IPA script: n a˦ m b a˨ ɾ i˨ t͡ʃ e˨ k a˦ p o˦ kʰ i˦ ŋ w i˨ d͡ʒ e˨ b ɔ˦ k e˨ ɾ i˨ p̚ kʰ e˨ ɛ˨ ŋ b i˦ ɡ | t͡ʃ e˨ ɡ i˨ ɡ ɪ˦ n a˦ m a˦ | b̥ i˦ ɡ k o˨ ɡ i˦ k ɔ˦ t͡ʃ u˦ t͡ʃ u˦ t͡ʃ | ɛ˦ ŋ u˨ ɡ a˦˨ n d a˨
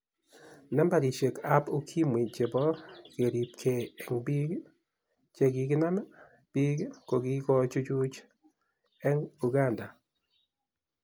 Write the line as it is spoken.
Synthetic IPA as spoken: n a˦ m b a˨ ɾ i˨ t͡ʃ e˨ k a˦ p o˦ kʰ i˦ m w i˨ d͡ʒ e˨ b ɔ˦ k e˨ ɾ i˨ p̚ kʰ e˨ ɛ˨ ŋ b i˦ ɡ | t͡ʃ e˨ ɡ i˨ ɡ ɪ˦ n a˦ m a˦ | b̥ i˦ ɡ k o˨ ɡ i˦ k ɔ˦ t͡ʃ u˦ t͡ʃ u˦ t͡ʃ | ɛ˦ ŋ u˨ ɡ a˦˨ n d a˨